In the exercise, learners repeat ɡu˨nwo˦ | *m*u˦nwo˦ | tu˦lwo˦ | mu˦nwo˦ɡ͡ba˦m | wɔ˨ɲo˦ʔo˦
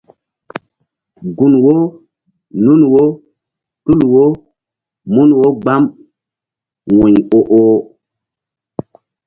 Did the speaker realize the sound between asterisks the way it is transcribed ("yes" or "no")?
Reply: no